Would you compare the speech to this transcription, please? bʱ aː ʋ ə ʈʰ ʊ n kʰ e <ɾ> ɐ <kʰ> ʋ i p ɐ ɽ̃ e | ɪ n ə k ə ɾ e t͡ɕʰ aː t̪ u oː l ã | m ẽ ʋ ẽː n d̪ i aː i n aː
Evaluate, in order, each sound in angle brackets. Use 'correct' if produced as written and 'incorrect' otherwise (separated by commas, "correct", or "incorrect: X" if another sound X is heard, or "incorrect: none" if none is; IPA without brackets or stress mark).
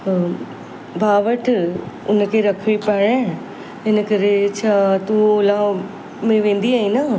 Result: correct, correct